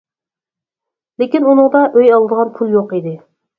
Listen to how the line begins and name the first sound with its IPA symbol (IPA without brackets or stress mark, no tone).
l